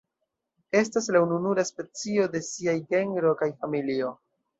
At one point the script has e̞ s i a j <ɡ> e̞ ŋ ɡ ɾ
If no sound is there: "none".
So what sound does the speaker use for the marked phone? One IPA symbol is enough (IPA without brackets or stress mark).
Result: ɡ